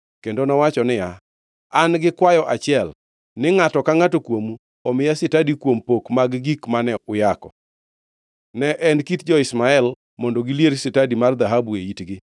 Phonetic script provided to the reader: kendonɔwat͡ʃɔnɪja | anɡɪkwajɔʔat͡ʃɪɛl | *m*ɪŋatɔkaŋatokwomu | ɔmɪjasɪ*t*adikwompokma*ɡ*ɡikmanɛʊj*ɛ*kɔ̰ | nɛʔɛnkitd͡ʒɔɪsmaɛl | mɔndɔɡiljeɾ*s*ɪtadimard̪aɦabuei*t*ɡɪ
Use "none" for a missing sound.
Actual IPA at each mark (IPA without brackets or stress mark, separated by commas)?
n, t, ɡ, a, s, t